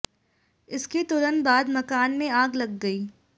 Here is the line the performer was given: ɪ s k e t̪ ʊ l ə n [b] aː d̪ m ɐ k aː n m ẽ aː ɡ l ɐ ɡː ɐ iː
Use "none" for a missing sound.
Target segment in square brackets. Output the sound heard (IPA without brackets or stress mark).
b